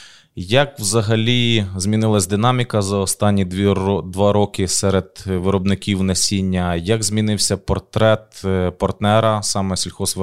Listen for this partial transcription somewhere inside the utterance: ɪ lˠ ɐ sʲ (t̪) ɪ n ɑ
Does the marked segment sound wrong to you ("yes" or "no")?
yes